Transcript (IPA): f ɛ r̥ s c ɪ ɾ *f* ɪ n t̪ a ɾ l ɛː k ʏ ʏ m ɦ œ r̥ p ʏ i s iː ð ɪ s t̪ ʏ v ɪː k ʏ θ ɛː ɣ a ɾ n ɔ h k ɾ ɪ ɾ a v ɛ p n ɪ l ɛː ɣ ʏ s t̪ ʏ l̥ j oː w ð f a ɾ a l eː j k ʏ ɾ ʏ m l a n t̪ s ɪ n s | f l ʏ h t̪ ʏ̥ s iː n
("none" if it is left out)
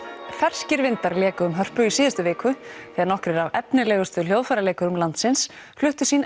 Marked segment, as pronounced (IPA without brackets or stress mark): v